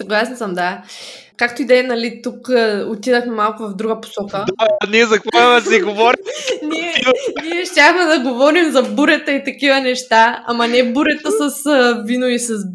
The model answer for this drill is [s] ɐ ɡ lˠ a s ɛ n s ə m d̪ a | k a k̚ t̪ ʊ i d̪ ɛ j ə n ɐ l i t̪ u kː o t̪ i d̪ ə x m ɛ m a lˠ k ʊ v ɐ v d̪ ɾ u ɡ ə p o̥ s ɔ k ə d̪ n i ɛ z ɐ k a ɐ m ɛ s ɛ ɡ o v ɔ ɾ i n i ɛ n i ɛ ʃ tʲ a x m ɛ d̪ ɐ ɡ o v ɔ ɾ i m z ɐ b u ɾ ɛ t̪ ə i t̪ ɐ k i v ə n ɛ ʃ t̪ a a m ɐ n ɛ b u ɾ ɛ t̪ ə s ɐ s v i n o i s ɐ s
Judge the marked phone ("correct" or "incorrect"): correct